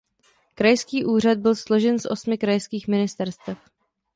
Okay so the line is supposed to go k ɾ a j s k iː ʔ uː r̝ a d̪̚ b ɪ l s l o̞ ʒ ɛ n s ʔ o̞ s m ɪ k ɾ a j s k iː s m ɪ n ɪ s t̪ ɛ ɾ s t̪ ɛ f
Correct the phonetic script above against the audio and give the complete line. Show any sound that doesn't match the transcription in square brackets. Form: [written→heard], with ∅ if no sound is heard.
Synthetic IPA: k ɾ a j s k iː ʔ uː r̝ a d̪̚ b ɪ l s l o̞ ʒ ɛ n s ʔ o̞ s m ɪ k ɾ a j s k iː [s→x] m ɪ n ɪ s t̪ ɛ ɾ s t̪ ɛ f